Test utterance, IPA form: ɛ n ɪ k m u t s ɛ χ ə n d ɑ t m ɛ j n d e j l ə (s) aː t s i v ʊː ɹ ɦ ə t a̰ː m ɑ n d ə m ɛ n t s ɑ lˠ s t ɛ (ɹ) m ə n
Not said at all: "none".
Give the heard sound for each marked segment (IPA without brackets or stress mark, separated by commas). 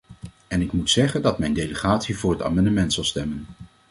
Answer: χ, none